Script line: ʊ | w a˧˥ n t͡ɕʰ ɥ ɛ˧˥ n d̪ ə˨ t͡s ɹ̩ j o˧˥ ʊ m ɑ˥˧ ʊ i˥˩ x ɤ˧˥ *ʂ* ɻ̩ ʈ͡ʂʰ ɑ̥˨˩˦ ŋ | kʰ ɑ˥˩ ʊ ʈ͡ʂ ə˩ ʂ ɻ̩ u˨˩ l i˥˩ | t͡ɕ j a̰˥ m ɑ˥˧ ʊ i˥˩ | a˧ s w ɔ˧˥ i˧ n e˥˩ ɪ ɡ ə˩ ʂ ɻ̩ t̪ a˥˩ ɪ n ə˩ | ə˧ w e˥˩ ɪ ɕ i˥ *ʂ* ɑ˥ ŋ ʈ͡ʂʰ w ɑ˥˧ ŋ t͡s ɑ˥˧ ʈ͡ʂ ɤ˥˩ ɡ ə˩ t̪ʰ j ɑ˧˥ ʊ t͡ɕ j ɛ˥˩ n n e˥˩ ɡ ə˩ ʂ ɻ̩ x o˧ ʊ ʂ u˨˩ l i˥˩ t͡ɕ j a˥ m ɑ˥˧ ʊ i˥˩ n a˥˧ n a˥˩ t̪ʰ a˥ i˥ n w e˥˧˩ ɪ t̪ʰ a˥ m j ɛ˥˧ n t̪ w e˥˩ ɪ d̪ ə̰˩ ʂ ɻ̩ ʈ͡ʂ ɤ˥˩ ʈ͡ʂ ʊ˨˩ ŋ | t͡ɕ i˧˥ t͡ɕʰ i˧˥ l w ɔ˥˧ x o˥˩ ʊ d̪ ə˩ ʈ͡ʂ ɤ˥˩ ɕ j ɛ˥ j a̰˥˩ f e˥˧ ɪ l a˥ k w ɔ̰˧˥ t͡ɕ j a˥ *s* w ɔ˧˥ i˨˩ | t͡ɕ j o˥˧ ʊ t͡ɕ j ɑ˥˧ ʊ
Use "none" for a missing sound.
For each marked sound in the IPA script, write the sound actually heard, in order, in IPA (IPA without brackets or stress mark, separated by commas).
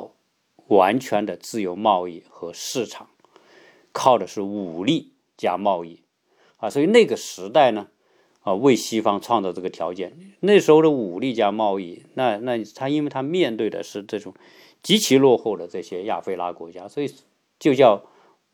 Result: ʂ, f, s